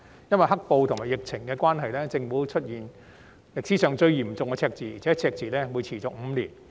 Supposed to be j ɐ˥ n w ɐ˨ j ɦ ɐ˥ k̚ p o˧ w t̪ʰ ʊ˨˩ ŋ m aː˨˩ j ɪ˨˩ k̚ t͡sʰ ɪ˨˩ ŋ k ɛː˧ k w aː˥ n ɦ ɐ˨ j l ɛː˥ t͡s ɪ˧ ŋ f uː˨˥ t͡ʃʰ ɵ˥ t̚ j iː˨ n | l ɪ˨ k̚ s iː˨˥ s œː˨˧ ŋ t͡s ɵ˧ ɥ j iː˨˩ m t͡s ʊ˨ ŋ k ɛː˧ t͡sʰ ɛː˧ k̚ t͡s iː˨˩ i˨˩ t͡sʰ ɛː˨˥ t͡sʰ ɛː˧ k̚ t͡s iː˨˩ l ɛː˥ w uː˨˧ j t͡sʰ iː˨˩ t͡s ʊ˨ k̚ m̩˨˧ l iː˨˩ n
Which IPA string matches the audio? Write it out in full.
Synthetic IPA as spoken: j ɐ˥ n w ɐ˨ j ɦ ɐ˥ k̚ p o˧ w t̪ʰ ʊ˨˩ ŋ m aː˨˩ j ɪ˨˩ k̚ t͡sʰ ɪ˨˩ ŋ k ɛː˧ k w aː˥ n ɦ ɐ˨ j l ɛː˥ t͡s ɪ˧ ŋ f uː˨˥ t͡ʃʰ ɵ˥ t̚ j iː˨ n | l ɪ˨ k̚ s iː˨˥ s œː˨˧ ŋ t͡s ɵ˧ ɥ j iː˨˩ m t͡s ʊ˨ ŋ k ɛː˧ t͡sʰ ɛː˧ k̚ t͡s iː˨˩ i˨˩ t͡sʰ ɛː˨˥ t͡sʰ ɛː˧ k̚ t͡s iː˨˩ l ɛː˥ w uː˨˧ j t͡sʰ iː˨˩ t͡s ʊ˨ k̚ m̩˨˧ l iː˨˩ n